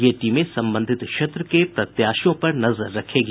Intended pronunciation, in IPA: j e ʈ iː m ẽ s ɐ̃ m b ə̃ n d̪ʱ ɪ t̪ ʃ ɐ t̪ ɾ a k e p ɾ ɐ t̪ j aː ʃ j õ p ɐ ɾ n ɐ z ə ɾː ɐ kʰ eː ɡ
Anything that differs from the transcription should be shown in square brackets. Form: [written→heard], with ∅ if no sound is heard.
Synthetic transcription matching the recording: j e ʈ iː m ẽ s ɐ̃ m b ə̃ n d̪ʱ ɪ t̪ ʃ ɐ t̪ ɾ [a→ə] k e p ɾ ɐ t̪ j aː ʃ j õ p ɐ ɾ n ɐ z ə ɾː ɐ kʰ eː ɡ